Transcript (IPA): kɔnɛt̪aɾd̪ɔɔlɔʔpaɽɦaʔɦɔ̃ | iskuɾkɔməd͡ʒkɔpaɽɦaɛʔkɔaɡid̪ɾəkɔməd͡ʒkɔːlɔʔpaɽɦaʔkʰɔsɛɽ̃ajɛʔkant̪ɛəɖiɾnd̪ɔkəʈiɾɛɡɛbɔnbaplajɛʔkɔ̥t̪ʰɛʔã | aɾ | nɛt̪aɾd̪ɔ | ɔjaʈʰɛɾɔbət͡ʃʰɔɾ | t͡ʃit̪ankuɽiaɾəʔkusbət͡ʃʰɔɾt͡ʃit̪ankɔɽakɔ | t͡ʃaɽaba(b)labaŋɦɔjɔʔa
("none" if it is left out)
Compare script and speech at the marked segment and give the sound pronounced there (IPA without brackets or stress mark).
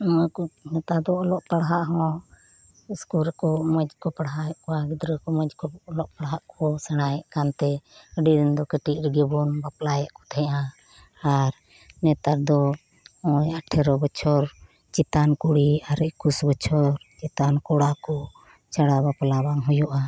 p